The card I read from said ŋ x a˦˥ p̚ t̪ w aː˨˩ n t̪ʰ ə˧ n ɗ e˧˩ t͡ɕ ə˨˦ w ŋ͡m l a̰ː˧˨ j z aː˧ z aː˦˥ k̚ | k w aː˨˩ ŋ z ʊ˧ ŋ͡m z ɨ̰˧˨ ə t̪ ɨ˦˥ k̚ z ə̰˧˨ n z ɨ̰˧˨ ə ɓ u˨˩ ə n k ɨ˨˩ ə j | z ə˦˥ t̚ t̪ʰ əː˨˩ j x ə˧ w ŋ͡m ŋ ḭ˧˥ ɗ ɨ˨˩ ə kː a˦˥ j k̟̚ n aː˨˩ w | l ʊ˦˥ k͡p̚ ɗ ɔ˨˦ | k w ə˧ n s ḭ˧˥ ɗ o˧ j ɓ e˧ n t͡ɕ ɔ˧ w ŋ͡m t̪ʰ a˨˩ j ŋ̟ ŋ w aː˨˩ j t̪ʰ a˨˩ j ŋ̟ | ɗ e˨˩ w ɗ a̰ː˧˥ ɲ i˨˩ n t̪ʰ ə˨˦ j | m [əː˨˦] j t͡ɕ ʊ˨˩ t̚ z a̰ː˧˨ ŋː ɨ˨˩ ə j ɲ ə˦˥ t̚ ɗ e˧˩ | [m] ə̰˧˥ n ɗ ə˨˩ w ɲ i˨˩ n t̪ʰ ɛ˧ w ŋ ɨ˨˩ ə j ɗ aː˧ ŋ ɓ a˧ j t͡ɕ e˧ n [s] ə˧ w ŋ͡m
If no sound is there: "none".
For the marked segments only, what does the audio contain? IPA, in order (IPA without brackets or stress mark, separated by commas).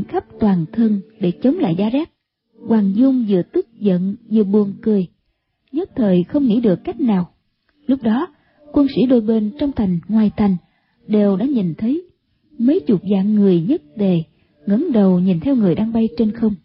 ə˨˦, ŋ, x